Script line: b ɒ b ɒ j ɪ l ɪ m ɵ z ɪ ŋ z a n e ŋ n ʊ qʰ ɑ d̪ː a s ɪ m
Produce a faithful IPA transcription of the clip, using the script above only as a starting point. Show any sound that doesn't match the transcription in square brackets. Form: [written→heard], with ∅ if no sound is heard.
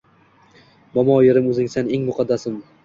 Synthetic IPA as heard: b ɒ [b→m] ɒ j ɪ [l→ɾ] ɪ m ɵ z ɪ ŋ [z→s] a n e ŋ [n→m] ʊ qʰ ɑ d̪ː a s ɪ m